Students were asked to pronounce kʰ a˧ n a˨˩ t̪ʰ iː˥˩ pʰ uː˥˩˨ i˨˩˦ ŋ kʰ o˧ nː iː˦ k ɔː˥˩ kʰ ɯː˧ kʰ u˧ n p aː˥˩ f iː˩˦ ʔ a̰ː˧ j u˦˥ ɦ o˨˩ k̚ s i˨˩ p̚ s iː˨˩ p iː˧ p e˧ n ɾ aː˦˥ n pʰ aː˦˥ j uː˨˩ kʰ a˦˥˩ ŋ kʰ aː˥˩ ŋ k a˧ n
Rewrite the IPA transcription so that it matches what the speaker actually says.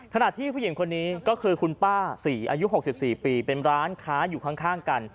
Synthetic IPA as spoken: kʰ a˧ n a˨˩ t̪ʰ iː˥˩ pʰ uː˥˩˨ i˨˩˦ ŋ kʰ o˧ nː iː˦ k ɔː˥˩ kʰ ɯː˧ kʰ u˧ n p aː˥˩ s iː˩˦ ʔ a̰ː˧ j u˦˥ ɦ o˨˩ k̚ s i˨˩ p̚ s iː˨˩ p iː˧ p e˧ n ɾ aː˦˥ n kʰ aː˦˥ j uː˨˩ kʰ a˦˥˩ ŋ kʰ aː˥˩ ŋ k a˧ n

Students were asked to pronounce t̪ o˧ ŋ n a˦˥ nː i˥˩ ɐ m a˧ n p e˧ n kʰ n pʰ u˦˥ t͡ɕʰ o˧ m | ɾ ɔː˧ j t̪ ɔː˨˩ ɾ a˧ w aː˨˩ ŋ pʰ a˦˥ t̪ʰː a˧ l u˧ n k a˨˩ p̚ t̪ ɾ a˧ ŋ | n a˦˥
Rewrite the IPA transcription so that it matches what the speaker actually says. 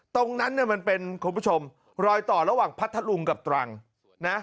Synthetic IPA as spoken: t̪ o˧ ŋ n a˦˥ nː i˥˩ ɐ m a˧ n p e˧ n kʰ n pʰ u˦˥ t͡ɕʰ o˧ m | ɾ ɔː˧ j t̪ ɔː˨˩ ɾ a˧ w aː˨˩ ŋ pʰ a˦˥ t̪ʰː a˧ l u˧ ŋ k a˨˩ p̚ t̪ ɾ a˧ ŋ | n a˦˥

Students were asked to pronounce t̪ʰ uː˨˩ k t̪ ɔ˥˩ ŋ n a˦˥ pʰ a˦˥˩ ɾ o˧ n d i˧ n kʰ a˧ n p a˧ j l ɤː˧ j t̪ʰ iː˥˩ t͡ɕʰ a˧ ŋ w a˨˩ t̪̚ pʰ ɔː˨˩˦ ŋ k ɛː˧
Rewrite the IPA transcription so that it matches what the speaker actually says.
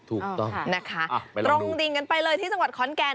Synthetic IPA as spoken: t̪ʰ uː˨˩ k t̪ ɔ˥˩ ŋ n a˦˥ kʰ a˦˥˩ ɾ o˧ ŋ d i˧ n k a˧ n p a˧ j l ɤː˧ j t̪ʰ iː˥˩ t͡ɕ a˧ ŋ w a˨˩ t̪̚ kʰ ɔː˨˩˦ n k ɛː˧

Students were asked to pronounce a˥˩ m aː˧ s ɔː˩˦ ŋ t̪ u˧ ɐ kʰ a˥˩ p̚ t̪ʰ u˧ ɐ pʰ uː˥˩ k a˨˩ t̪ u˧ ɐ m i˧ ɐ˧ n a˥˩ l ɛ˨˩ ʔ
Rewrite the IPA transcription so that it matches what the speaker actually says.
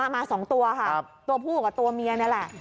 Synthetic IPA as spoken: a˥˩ m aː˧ s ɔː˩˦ ŋ t̪ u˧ ɐ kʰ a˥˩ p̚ t̪ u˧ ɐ pʰ uː˥˩ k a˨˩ t̪ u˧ ɐ m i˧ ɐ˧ n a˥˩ l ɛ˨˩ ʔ

